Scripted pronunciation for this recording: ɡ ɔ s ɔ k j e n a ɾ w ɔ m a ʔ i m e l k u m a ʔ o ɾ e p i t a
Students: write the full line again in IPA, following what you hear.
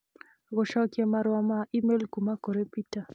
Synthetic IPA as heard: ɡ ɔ ʃ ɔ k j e m a ɾ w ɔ m a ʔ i m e l k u m a k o ɾ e p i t a